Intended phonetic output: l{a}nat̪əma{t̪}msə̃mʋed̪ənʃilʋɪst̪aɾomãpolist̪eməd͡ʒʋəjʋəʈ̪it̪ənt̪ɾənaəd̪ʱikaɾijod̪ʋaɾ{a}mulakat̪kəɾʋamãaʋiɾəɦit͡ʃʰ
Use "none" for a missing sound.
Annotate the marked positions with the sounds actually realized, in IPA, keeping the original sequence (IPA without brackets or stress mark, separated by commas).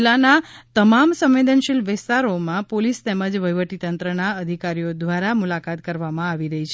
a, none, a